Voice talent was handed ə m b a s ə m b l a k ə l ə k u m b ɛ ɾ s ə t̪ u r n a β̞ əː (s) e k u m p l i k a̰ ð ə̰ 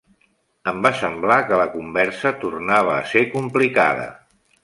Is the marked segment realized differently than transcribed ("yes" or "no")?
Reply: no